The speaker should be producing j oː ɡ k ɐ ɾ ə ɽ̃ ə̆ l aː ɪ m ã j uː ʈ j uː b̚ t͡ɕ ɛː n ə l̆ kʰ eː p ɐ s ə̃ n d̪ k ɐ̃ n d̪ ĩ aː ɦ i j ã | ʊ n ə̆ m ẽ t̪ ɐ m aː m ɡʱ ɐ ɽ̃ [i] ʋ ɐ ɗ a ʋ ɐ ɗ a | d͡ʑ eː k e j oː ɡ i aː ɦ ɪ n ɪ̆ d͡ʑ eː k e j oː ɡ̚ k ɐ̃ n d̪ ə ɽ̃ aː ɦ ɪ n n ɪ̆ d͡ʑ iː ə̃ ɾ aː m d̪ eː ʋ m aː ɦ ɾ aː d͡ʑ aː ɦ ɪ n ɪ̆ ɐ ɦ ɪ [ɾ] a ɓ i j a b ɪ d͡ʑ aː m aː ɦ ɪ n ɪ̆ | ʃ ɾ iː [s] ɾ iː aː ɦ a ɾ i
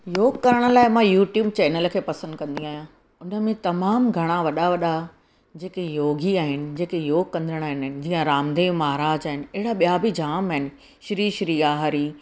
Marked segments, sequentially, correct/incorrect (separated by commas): incorrect, incorrect, incorrect